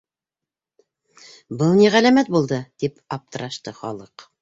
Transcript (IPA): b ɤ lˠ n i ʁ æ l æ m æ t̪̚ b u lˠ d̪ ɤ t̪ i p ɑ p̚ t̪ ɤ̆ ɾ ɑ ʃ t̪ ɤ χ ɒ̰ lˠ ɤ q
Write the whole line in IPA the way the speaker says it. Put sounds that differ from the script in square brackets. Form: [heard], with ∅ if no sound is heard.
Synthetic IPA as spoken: b ɤ lˠ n i ʁ æ l æ m æ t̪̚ b u lˠ d̪ ɤ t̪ i p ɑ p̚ t̪ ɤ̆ ɾ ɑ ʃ t̪ ɤ χ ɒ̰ lˠ ɤ q